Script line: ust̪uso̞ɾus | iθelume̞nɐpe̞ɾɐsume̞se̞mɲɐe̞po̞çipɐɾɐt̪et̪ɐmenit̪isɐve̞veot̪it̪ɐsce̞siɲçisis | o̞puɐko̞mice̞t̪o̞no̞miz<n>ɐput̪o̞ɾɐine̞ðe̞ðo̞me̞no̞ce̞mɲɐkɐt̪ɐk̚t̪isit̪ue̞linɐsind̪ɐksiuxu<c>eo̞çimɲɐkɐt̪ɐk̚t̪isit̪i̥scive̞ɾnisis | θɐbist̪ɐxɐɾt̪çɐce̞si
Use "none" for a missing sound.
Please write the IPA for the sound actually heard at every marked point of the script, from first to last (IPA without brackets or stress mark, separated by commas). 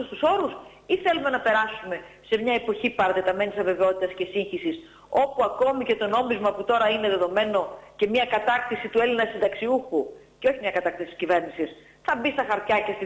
m, c